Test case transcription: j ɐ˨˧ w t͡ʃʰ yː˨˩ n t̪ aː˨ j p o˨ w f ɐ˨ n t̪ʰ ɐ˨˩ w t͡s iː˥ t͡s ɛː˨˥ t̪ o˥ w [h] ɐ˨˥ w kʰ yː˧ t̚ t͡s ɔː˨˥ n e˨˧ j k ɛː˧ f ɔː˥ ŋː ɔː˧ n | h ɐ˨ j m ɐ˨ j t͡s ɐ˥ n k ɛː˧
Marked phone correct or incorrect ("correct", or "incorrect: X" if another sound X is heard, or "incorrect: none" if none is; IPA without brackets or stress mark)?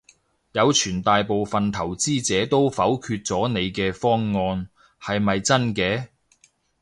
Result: incorrect: f